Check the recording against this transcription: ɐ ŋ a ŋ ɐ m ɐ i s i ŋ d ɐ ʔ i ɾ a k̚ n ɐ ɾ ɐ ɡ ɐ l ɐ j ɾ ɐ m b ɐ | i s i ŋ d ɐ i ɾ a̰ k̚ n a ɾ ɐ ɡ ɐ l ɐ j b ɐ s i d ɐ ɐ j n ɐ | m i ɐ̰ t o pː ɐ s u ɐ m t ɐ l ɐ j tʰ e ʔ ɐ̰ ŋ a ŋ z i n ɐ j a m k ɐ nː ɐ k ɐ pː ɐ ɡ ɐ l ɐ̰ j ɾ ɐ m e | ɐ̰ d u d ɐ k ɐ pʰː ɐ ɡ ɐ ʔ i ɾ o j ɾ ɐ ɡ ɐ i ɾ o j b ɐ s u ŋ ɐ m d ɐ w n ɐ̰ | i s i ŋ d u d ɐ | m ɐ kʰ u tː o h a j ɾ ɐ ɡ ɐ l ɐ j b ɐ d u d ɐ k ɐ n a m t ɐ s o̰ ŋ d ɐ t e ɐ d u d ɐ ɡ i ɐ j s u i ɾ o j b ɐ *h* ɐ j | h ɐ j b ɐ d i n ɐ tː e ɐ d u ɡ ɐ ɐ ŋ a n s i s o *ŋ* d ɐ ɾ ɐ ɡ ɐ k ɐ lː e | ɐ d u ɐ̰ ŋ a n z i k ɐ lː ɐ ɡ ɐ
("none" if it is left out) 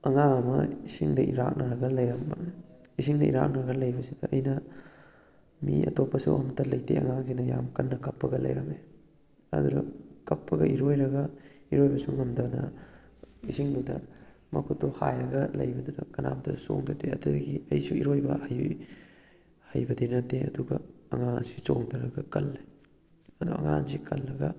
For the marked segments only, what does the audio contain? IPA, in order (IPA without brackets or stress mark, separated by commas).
h, ŋ